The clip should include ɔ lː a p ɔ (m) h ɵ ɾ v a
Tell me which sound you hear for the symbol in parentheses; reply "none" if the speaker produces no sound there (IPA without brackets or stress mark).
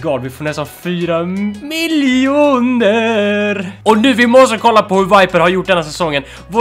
none